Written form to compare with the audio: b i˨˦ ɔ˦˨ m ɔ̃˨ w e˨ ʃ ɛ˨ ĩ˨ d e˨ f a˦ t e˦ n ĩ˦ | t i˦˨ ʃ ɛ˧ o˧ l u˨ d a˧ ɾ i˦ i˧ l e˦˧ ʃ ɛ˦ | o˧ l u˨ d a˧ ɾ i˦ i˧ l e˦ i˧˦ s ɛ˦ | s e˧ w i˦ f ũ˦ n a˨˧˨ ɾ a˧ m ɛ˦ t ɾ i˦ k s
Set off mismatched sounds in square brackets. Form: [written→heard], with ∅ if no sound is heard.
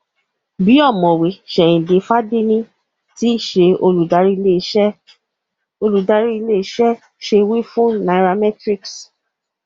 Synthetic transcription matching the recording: b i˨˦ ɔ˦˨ m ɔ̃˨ w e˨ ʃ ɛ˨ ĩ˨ d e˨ f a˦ [t→d] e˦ n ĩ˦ | t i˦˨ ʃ [ɛ˧→e˧] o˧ l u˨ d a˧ ɾ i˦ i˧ l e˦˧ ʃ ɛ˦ | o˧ l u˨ d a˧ ɾ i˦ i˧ l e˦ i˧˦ [s→ʃ] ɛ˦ | [s→ʃ] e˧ w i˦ f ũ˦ n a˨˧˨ ɾ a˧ m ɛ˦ t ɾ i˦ k s